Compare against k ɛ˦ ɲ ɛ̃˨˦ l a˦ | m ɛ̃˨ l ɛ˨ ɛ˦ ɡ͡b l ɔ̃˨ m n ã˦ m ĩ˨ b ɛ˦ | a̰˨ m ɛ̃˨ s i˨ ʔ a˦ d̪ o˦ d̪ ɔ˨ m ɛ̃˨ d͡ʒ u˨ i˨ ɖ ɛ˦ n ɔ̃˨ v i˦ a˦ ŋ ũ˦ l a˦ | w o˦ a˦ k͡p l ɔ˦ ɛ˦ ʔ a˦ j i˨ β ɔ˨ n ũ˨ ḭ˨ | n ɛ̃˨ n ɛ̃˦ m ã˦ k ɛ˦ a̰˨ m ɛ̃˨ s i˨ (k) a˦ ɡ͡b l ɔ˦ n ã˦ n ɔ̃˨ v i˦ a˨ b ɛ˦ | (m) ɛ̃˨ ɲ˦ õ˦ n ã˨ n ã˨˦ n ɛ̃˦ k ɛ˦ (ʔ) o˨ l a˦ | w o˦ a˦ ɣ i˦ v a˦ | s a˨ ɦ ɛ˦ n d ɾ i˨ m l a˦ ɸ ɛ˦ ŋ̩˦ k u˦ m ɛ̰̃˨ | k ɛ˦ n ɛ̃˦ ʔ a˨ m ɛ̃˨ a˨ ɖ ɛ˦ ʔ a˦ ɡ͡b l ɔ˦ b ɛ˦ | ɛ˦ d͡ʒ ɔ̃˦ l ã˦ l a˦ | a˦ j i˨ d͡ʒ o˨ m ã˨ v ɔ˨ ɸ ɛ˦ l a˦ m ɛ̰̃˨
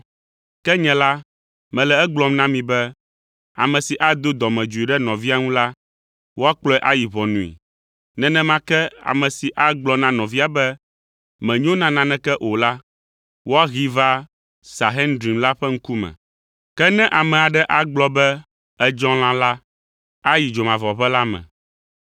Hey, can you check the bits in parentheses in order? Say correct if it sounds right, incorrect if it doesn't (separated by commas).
incorrect, correct, correct